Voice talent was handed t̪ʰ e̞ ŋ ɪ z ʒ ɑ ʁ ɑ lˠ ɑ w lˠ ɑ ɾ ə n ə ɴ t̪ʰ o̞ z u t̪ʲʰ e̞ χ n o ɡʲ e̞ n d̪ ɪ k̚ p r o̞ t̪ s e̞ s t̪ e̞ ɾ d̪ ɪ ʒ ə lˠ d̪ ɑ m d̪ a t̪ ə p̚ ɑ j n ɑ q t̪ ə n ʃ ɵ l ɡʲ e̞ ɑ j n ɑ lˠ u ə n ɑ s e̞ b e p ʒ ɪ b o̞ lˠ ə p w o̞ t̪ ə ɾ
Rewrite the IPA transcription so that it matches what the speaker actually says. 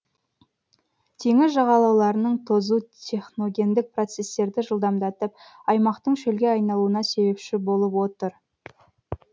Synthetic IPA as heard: t̪ʰ e̞ ŋ ɪ z ʒ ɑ ʁ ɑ lˠ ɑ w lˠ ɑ ɾ ə n ə ɴ t̪ʰ o̞ z u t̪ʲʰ e̞ χ n o ɡʲ e̞ n d̪ ɪ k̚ p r o̞ t̪ s e̞ s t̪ e̞ ɾ d̪ ɪ ʒ ə lˠ d̪ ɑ m d̪ ɑ t̪ ə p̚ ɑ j m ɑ q t̪ ə ɴ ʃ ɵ l ɡʲ e̞ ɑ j n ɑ lˠ u ə n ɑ s e̞ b e p ʃ ɪ b o̞ lˠ ə p w o̞ t̪ ə ɾ